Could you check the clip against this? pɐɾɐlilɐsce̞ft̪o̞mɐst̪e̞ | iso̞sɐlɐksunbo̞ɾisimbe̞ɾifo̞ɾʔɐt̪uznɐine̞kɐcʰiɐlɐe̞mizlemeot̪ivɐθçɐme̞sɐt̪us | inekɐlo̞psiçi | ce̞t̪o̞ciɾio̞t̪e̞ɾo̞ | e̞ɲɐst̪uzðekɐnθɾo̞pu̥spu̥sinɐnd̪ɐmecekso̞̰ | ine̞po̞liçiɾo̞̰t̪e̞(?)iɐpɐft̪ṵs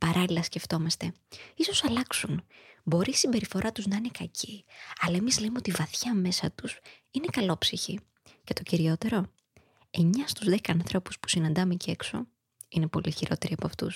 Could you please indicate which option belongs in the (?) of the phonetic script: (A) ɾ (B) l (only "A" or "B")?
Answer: A